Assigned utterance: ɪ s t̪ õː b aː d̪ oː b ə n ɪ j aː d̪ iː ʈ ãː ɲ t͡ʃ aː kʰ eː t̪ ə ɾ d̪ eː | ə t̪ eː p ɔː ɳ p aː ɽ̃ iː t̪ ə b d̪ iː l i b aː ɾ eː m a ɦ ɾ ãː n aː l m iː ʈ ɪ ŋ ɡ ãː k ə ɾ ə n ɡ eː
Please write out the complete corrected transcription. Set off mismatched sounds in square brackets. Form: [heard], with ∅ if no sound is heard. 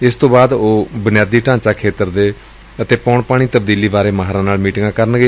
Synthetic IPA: ɪ s t̪ õː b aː d̪ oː b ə n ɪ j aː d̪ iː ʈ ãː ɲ t͡ʃ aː kʰ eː t̪ ə ɾ d̪ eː | ə t̪ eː p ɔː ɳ p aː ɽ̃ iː t̪ ə b d̪ iː l [iː] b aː ɾ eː m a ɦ ɾ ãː n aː l m iː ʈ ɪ ŋ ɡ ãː k ə ɾ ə n ɡ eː